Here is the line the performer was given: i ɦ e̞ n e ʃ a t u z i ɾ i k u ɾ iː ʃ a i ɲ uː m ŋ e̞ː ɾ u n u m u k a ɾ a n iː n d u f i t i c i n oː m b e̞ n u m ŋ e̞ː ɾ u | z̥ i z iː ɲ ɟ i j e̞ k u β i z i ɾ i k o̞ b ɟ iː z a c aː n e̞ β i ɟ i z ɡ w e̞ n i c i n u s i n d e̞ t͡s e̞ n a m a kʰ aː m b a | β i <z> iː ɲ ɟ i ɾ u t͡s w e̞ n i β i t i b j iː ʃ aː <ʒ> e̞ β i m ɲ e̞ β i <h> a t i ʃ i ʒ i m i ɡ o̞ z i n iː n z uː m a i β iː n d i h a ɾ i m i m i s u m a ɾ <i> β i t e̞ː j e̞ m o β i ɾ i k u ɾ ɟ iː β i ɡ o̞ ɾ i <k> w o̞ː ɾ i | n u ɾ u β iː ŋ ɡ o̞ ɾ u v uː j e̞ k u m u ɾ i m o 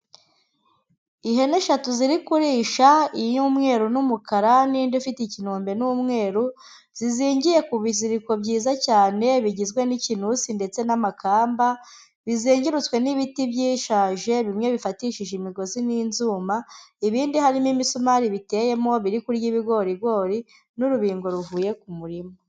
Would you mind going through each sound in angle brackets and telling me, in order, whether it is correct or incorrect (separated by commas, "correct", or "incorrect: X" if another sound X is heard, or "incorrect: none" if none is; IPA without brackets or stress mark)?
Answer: correct, correct, incorrect: f, correct, incorrect: ɡ